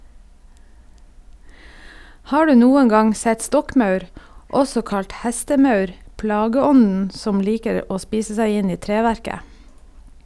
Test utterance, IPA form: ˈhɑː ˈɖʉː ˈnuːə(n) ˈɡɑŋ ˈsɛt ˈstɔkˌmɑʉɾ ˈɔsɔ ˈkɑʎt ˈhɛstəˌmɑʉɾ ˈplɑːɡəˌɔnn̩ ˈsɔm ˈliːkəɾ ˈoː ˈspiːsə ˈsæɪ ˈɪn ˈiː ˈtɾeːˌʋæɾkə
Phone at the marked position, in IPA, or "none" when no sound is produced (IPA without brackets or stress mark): ŋ